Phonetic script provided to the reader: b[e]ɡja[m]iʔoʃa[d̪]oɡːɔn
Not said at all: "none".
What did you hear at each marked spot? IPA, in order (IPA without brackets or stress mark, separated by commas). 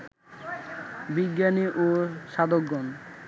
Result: i, n, d̪